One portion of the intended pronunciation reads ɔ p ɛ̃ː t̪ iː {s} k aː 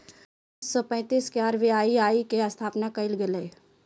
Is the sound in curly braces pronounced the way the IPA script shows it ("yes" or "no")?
yes